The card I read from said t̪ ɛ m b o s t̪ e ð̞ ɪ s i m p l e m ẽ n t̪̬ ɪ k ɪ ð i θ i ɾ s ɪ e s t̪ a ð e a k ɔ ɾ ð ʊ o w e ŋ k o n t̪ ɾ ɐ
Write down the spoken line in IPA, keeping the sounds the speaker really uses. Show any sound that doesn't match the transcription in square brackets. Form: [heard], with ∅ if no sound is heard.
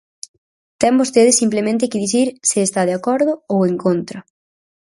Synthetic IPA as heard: t̪ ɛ m b o s t̪ e ð̞ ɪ s i m p l e m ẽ n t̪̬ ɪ k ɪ ð i θ i ɾ s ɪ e s t̪ a ð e a k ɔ ɾ ð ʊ o w e ŋ k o n t̪ ɾ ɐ